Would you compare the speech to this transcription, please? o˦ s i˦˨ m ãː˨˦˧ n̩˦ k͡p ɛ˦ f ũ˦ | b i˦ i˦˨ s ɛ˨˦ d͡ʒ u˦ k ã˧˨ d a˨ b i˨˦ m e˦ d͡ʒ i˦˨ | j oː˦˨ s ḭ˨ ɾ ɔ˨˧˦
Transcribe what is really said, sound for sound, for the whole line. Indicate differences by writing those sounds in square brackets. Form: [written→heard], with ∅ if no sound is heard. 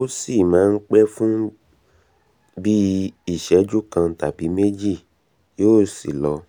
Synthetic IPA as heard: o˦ s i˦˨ m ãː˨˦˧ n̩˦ k͡p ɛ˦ f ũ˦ | b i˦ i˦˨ [s→ʃ] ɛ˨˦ d͡ʒ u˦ k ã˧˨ [d→t] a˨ b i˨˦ m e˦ d͡ʒ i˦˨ | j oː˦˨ s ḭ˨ [ɾ→l] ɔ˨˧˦

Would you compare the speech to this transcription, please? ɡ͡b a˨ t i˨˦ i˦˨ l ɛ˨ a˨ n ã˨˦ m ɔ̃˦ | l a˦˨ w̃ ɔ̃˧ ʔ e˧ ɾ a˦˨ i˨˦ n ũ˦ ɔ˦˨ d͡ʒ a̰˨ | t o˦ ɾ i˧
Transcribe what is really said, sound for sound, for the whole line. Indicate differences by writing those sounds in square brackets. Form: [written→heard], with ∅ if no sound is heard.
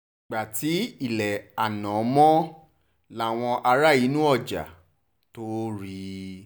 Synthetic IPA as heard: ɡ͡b a˨ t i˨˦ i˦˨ l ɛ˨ a˨ n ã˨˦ m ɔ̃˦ | l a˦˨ w̃ ɔ̃˧ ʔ [e˧→a˧] ɾ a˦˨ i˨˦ n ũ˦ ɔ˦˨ d͡ʒ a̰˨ | t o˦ ɾ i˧

